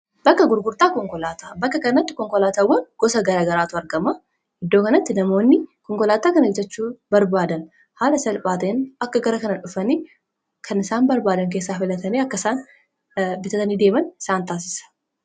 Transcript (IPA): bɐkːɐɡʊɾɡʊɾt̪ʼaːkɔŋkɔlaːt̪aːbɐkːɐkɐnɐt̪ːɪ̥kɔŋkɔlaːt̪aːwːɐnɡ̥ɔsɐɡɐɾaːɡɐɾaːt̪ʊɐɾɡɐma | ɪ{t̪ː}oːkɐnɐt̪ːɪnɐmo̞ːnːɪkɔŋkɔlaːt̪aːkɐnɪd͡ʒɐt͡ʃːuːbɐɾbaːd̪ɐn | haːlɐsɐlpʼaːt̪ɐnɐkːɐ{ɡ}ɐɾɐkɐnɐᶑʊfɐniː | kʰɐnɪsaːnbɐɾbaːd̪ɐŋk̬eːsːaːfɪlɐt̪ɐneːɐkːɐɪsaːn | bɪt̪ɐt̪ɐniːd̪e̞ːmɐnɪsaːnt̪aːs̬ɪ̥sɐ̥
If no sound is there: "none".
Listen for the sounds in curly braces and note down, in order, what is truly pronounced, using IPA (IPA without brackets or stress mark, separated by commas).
d̪ː, ɡ